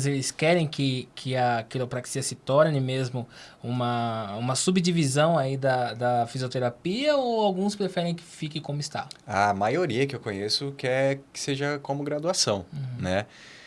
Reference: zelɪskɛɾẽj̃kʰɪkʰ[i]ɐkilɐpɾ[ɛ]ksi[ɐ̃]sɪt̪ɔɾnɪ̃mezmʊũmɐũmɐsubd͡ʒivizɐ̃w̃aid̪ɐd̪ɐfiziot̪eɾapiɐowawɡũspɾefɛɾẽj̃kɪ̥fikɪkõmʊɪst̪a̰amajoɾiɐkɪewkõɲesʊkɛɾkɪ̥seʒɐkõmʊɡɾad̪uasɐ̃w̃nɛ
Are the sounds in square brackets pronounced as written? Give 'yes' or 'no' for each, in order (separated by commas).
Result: no, no, no